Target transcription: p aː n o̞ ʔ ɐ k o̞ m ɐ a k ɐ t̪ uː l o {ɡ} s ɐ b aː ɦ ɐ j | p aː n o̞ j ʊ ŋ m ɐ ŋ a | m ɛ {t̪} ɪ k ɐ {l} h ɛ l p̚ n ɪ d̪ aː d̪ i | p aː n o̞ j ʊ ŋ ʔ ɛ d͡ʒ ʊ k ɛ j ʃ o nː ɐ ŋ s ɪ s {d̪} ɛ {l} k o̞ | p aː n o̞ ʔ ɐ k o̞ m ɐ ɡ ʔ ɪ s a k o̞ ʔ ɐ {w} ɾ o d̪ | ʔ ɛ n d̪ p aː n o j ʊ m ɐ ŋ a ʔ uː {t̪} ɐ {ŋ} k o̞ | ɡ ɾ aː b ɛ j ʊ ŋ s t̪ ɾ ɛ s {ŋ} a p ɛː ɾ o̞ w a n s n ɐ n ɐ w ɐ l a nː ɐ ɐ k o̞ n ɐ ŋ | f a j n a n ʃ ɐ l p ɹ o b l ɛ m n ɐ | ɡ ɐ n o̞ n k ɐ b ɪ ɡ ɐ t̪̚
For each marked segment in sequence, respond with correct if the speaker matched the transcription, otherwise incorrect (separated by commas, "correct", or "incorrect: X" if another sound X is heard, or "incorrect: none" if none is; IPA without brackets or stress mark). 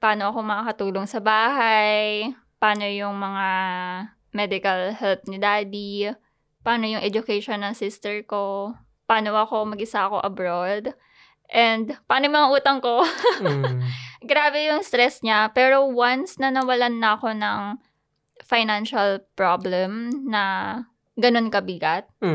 incorrect: ŋ, incorrect: d̪, correct, incorrect: t̪, incorrect: ɹ, incorrect: b, correct, correct, incorrect: ɲ